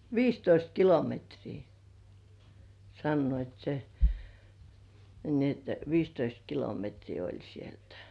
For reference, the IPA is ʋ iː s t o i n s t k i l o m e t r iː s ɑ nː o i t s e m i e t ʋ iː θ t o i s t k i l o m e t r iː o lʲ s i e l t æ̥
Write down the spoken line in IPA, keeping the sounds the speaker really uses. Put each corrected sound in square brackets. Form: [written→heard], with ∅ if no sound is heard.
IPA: ʋ iː s t o i [n→∅] s t k i l o m e t r iː s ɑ nː o i t s e [m→n] i e t ʋ iː [θ→s] t o i s t k i l o m e t r iː o lʲ s i e l t æ̥